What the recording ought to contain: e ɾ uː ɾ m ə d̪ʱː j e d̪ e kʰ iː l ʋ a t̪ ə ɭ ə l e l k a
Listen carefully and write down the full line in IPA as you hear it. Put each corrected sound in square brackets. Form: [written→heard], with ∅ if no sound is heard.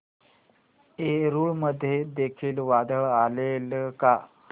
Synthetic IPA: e ɾ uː [ɾ→ɭ] m ə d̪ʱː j e d̪ e kʰ iː l ʋ a [t̪→d̪] ə ɭ [ə→a] l e l k a